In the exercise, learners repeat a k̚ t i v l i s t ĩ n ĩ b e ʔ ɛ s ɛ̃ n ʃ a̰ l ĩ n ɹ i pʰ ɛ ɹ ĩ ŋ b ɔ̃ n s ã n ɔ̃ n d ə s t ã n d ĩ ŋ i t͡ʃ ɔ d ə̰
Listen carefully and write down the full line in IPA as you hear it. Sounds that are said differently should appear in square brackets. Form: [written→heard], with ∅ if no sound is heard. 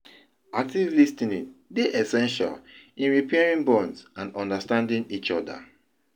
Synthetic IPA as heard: a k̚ t i v l i s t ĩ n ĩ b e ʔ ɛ s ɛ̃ n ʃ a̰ l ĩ n ɹ i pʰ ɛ ɹ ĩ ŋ b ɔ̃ n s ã n ɔ̃ n d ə s t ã n d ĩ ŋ i t͡ʃ ɔ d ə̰

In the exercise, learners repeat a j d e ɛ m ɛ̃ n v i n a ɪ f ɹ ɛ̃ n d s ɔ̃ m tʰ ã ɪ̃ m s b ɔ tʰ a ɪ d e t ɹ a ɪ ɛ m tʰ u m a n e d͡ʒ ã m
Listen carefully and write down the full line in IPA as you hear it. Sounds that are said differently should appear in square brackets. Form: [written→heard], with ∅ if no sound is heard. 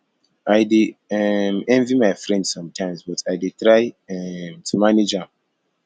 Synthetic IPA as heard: a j d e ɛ m ɛ̃ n v i [n→m] a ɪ f ɹ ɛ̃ n d s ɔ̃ m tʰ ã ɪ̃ m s b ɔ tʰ a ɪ d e t ɹ a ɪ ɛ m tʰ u m a n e d͡ʒ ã m

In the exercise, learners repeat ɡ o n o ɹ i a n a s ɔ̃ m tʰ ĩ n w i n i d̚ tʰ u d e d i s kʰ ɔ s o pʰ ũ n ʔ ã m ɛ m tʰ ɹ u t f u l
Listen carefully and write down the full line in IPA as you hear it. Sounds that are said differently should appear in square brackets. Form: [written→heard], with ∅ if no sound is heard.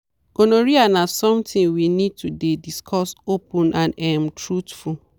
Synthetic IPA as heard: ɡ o n o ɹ i a n a s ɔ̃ m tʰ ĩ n w i n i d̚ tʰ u d e d i s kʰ ɔ s o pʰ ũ n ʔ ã [m→n] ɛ m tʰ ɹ u t f u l

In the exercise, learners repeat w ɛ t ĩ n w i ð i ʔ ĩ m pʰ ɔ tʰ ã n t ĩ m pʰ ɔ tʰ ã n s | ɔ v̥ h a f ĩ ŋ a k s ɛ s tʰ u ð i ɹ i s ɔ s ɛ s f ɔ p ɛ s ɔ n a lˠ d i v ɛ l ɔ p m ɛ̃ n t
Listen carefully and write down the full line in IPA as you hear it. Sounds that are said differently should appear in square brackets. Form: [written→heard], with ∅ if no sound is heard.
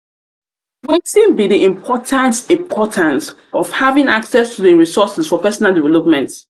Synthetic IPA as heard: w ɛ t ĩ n [w→b] i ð i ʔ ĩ m pʰ ɔ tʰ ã n t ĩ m pʰ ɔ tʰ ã n s | ɔ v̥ h a [f→v] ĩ ŋ a k s ɛ s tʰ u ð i ɹ i s ɔ s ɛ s f ɔ p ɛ s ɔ n a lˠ d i v ɛ l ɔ p m ɛ̃ n t

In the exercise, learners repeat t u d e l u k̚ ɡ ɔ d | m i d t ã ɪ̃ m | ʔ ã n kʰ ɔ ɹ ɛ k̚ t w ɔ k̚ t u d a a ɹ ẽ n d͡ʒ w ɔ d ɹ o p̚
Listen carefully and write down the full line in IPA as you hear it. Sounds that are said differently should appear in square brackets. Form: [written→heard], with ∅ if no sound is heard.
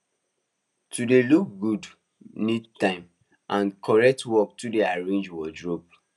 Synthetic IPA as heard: t u d e l u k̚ ɡ [ɔ→u] d | [m→n] i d t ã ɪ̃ m | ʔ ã n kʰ ɔ ɹ ɛ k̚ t w ɔ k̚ t u d [a→e] a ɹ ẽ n d͡ʒ w ɔ d ɹ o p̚

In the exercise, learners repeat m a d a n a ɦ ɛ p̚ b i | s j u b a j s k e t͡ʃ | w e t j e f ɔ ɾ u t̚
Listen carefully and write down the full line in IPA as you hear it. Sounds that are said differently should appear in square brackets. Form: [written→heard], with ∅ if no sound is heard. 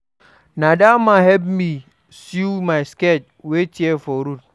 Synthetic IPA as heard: [m→n] a d a [n→m] a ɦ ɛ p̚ [b→m] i | s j u [b→m] a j s k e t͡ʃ | w e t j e f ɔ ɾ u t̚

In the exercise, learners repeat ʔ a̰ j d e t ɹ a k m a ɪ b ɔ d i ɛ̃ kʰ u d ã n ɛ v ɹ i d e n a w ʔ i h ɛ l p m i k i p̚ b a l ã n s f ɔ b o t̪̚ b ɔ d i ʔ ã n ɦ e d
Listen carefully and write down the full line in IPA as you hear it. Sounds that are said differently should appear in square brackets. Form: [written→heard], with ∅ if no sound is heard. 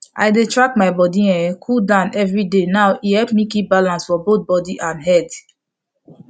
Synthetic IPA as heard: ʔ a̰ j d e t ɹ a k m a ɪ b ɔ d i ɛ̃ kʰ u d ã n ɛ v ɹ i d e n a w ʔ i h ɛ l p m i k i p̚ b a l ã n s f ɔ b o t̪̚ b ɔ d i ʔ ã n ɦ [e→ɛ] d

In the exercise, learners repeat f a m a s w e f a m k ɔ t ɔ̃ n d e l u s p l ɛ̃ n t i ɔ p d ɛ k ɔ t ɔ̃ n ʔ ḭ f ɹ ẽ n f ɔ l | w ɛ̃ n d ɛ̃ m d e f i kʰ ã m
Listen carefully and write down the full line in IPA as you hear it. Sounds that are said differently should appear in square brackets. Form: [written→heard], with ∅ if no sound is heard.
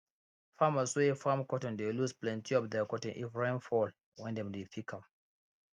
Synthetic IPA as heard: f a m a s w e f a m k ɔ t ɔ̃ n d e l u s p l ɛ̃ n t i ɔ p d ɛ k ɔ t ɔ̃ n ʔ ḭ f ɹ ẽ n f ɔ l | w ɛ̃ n d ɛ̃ m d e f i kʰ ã m

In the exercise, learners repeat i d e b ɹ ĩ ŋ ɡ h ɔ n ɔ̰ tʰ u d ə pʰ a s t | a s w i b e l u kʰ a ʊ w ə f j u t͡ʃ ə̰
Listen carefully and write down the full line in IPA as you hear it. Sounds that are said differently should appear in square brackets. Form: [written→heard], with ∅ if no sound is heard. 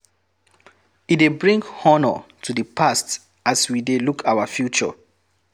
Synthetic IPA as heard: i d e b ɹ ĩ ŋ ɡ h ɔ n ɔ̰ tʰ u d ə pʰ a s t | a s w i [b→d] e l u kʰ a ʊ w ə f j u t͡ʃ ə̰

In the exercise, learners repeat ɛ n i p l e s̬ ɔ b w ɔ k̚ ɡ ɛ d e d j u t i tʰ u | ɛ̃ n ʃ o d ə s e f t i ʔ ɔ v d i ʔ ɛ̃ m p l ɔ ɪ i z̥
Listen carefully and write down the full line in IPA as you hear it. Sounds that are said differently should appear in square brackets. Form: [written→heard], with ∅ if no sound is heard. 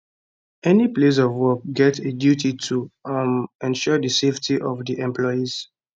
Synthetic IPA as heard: ɛ n i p l e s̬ ɔ [b→v] w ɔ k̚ ɡ ɛ [d→t] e d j u t i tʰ u | ɛ̃ n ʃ [o→ɔ] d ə s e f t i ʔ ɔ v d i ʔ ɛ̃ m p l ɔ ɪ i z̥

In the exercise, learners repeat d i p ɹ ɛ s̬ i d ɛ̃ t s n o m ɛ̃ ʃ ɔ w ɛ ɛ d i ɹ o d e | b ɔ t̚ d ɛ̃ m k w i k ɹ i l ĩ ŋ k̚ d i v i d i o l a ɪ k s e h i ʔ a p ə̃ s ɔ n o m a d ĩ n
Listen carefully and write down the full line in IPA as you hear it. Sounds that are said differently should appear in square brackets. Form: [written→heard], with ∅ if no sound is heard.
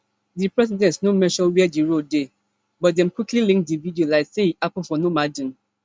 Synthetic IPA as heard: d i p ɹ ɛ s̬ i d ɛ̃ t s n o m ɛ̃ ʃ ɔ w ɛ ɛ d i ɹ o d e | b ɔ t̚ d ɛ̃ m k w i k [ɹ→l] i l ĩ ŋ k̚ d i v i d i o l a ɪ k s e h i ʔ a p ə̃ [s→f] ɔ n o m a d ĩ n

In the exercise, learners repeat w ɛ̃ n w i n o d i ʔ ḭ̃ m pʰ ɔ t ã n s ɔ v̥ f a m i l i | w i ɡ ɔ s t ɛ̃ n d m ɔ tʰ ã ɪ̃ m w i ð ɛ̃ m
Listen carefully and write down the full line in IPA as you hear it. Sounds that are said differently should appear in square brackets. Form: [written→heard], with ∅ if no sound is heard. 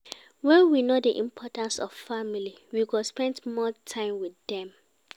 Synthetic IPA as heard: w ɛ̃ n w i n o d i ʔ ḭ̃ m pʰ ɔ t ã n s ɔ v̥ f a m i l i | w i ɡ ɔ s [t→p] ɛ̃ n d m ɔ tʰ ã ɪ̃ m w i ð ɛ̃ m

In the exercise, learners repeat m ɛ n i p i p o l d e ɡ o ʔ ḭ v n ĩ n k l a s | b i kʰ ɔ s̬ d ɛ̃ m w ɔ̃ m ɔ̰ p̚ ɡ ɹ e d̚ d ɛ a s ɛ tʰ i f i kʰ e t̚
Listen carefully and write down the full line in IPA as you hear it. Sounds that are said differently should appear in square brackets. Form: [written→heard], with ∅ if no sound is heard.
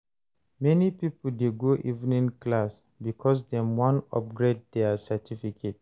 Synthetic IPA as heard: m ɛ n i p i p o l d e ɡ o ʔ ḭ v n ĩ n k l a s | b i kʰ ɔ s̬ d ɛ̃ m w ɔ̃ [m→n] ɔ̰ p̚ ɡ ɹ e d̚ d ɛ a s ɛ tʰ i f i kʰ e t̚

